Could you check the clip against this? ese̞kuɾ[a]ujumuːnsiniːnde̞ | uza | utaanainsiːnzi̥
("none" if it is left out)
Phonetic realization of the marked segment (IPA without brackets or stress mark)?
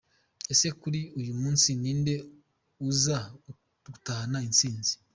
i